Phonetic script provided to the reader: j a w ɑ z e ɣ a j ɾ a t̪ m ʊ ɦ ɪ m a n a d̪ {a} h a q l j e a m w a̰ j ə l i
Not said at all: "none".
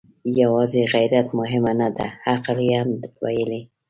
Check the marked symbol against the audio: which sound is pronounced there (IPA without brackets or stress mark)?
a